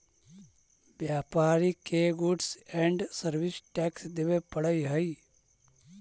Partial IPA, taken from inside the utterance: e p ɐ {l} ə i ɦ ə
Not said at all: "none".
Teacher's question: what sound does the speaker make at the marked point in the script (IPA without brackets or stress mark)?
ɽ